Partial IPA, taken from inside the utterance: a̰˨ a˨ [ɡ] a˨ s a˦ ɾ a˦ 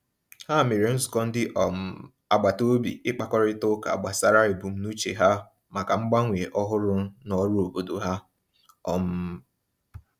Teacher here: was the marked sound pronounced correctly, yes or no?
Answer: no